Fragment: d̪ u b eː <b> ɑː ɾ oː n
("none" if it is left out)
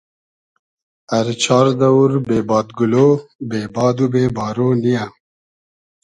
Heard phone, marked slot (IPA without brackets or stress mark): b